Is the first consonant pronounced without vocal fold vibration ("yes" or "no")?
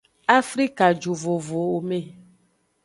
yes